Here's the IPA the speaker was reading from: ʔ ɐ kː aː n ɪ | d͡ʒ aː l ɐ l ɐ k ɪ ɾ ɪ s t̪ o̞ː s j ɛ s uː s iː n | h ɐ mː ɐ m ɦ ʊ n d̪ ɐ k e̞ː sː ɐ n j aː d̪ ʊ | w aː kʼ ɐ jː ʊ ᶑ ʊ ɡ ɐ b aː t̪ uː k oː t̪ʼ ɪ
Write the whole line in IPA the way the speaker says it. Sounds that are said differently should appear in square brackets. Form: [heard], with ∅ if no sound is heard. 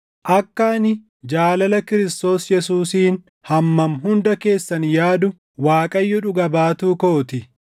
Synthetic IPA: ʔ ɐ kː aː n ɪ | d͡ʒ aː l ɐ l ɐ k ɪ ɾ ɪ s t̪ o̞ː s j ɛ s uː s iː n | h ɐ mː ɐ m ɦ ʊ n d̪ ɐ k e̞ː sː ɐ n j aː d̪ ʊ | w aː kʼ ɐ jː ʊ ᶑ ʊ ɡ ɐ b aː t̪ uː k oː [t̪] ɪ